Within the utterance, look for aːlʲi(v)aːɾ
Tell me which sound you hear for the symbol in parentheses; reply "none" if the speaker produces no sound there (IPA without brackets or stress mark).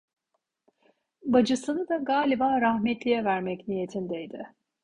b